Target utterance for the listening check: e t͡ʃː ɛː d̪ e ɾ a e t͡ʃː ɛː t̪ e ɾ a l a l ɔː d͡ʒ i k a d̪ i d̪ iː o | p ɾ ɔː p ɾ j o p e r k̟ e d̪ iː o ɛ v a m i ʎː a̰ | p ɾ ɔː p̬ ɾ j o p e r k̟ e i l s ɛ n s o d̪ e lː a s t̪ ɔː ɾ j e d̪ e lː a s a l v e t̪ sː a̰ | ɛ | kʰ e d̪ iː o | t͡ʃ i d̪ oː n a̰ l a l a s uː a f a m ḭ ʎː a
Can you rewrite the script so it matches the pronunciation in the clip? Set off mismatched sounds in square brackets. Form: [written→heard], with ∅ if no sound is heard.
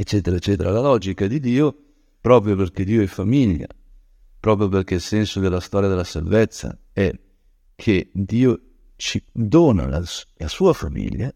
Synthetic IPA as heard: e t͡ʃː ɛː [d̪→t̪] e ɾ a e t͡ʃː ɛː t̪ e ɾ a l a l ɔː d͡ʒ i k a d̪ i d̪ iː o | p ɾ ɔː p ɾ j o p e r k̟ e d̪ iː o ɛ [v→f] a m i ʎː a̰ | p ɾ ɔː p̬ ɾ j o p e r k̟ e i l s ɛ n s o d̪ e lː a s t̪ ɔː ɾ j [e→a] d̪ e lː a s a l v e t̪ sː a̰ | ɛ | kʰ e d̪ iː o | t͡ʃ i d̪ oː n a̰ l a l a s uː a f a m ḭ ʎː a